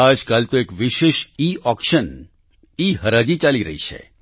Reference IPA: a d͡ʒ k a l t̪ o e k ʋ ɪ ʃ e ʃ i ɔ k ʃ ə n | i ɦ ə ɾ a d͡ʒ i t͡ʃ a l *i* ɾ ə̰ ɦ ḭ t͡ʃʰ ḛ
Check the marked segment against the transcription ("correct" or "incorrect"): correct